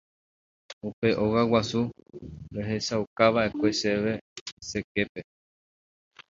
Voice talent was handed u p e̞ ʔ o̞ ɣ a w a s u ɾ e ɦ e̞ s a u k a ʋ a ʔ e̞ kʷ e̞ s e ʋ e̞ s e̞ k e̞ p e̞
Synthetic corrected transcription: u p e̞ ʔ o̞ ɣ a w a s u ɾ e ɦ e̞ s a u k a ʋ a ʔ e̞ kʷ e̞ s e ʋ e̞ s e̞ k e̞ p e̞